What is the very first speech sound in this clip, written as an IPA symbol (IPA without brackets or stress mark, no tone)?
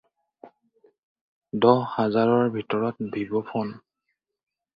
d